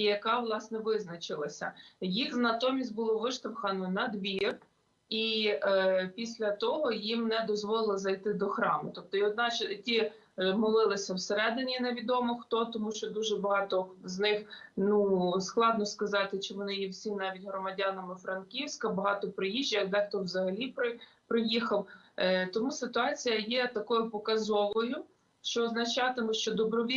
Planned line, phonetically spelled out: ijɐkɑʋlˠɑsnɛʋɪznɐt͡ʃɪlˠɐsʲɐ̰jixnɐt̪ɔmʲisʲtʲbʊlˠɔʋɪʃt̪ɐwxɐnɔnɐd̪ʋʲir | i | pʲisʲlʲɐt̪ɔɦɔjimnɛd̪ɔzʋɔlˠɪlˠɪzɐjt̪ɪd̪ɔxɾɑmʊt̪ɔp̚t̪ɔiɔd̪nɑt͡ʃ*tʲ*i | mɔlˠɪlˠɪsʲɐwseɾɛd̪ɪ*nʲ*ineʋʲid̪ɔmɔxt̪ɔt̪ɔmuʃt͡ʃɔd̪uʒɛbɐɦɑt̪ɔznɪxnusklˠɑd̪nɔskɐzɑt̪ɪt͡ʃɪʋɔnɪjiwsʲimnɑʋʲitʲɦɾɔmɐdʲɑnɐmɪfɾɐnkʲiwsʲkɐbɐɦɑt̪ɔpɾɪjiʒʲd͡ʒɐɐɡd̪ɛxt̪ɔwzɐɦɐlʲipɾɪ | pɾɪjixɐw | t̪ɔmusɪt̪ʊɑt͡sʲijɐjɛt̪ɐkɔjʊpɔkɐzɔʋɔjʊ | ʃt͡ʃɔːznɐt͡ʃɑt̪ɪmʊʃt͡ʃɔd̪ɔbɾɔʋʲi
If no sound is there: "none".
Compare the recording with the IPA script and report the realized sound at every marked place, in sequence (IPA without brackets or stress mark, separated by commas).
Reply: tʲ, nʲ